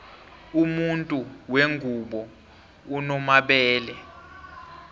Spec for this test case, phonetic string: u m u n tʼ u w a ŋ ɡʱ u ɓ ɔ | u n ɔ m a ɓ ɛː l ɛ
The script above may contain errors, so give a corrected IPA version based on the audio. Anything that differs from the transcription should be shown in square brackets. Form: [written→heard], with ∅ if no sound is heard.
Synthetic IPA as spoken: u m u n tʼ u w [a→e] ŋ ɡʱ u ɓ ɔ | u n ɔ m a ɓ ɛː l ɛ

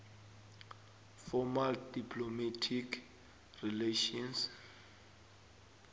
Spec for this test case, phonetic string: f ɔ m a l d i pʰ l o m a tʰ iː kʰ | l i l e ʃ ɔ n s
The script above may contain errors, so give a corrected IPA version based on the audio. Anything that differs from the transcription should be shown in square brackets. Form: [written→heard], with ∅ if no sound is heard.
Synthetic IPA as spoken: f ɔ m a l d i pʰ l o m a tʰ [iː→i] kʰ | [l→r] i l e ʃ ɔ n s

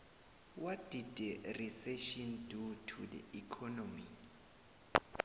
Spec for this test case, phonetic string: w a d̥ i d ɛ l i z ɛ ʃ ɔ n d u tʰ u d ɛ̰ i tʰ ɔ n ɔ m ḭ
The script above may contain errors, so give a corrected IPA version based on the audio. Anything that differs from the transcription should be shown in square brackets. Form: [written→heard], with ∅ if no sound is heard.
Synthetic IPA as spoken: w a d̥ i d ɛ [l→r] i [z→s] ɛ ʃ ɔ n d u tʰ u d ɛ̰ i [tʰ→kʰ] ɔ n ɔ m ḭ

